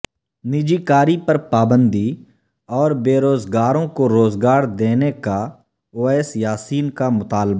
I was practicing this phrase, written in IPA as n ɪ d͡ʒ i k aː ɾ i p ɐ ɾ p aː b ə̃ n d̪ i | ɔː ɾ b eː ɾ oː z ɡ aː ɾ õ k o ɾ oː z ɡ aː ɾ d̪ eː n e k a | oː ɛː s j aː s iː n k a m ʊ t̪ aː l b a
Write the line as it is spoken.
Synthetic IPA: n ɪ d͡ʒ i k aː ɾ i p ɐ ɾ p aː b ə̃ n d̪ i | ɔː ɾ b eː ɾ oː z ɡ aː ɾ õ k o ɾ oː z ɡ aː ɾ d̪ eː n e k a | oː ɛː s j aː s iː n k a m ʊ t̪ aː l b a